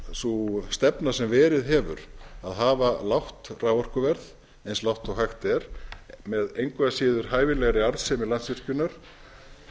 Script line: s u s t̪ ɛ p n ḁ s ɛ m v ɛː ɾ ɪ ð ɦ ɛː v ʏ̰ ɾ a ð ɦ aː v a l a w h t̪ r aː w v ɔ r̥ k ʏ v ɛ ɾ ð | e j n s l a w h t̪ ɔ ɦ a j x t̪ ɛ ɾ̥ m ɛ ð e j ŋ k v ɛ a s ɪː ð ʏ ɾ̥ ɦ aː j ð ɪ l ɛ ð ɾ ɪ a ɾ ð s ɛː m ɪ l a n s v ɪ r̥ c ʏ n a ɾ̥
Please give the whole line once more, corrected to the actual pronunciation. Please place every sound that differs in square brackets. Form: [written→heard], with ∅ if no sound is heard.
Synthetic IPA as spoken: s u s t̪ ɛ p n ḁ s ɛ m v ɛː ɾ ɪ ð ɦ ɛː v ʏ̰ ɾ a ð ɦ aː v a l a w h t̪ r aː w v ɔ r̥ k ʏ v ɛ ɾ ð | e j n s l a w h t̪ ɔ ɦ a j x t̪ ɛ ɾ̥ m ɛ ð e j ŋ k v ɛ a s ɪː ð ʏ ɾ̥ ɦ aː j [ð→v] ɪ l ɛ [ð→ɣ] ɾ ɪ a ɾ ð s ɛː m ɪ l a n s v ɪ r̥ c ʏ n a ɾ̥